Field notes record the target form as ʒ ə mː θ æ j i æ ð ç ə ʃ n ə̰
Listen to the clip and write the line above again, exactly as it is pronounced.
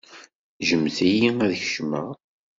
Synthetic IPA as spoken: ʒ ə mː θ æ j i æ ð ç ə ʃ m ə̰